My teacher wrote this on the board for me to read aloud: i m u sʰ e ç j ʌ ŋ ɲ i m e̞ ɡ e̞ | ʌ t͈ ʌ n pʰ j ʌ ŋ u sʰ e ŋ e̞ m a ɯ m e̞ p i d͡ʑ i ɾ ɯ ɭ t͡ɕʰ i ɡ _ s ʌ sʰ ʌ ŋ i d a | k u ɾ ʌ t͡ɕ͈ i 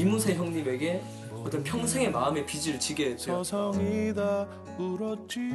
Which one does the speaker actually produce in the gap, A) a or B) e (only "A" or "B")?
B